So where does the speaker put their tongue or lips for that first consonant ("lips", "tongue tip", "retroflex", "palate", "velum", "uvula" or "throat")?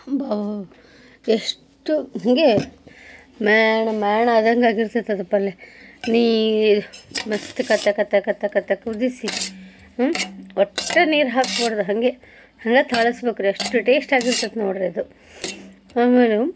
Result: lips